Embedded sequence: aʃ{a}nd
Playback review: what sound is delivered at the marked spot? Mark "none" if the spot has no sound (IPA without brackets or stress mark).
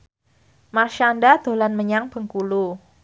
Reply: a